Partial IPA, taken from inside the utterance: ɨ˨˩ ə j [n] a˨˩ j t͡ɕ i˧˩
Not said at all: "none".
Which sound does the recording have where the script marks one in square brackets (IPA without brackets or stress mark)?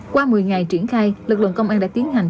ŋ